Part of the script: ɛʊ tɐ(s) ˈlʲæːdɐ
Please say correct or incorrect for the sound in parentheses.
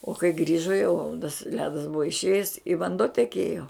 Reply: correct